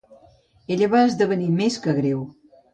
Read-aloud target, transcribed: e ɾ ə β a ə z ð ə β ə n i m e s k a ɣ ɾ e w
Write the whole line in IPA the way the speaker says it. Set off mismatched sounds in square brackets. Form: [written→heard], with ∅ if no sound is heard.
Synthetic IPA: e [ɾ→ʎ] ə β a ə z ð ə β ə n i m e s k [a→ə] ɣ ɾ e w